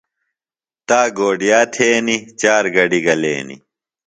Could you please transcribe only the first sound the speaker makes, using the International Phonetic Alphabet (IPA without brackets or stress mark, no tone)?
t̪